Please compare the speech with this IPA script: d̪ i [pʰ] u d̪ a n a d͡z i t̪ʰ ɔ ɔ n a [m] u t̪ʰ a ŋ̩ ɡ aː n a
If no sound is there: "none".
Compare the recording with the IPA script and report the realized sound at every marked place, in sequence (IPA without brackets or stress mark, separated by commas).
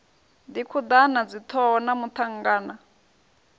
kʰ, m